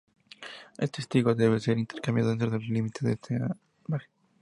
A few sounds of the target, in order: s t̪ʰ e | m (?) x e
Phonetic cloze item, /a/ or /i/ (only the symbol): a